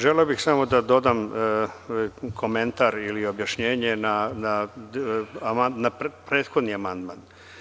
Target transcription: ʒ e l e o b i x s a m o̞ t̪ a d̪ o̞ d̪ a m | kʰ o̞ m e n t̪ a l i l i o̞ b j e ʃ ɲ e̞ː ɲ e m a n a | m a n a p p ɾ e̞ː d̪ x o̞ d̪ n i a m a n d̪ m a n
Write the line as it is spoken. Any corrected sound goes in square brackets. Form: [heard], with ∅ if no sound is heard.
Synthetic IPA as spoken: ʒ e l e o b i x s a m o̞ [d̪] a d̪ o̞ d̪ a m | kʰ o̞ m e n t̪ a [ɾ] i l i o̞ b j [a] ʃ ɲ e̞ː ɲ e [n] a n a | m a n a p p ɾ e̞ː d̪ x o̞ d̪ n i a m a n d̪ m a n